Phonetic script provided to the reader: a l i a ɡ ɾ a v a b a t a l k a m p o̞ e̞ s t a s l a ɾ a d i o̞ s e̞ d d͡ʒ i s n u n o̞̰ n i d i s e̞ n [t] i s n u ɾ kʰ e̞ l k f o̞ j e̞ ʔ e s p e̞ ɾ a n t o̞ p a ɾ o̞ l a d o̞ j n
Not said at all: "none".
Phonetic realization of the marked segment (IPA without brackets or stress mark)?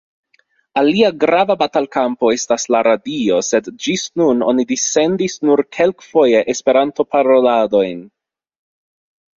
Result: d